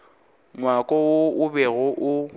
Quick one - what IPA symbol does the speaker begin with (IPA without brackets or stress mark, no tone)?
ŋ